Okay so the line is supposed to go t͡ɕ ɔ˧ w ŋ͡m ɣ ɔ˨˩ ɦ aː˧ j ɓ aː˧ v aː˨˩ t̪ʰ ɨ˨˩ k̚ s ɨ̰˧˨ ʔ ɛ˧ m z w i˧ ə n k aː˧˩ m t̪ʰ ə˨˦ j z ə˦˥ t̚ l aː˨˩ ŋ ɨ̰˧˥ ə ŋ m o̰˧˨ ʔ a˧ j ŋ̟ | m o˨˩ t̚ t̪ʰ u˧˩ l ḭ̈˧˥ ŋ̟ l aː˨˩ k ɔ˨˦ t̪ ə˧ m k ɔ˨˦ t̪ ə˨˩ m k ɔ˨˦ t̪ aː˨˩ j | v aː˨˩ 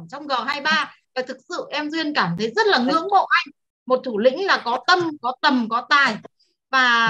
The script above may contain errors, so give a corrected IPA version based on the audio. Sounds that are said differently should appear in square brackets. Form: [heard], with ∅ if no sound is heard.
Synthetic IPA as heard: t͡ɕ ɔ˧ w ŋ͡m ɣ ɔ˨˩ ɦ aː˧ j ɓ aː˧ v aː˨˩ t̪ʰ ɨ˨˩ k̚ s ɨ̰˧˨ ʔ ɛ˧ m z w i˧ ə n k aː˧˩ m t̪ʰ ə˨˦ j z ə˦˥ t̚ l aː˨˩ ŋ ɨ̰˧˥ ə ŋ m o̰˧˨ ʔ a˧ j ŋ̟ | m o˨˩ t̚ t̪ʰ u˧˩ l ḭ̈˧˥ ŋ̟ l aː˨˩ k ɔ˨˦ t̪ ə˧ m k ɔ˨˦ t̪ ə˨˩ m k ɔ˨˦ t̪ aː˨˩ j | v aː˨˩